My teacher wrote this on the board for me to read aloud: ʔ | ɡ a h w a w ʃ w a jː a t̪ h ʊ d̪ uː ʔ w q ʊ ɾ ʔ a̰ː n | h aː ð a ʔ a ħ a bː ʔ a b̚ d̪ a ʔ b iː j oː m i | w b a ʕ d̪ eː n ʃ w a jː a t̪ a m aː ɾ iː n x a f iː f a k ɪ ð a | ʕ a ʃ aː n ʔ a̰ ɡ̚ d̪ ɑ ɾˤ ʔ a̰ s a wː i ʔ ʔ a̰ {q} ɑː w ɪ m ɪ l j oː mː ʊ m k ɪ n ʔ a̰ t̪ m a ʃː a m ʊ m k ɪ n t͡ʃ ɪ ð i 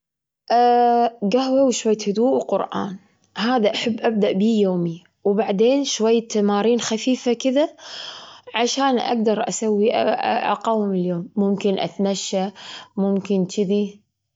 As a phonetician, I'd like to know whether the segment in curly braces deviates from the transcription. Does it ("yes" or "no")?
no